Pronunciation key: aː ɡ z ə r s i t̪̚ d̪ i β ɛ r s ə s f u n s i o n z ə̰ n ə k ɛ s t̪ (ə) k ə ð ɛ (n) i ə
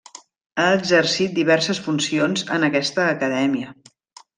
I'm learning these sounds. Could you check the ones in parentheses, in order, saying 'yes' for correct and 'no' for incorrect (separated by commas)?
no, no